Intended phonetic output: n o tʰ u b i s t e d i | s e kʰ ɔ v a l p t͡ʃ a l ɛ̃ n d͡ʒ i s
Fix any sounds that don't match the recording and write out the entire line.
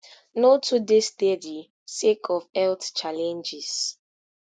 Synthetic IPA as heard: n o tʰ u d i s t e d i | s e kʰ ɔ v ɛ l t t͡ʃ a l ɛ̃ n d͡ʒ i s